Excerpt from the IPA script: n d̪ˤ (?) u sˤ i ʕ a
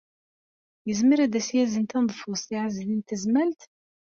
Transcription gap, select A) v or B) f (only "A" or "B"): B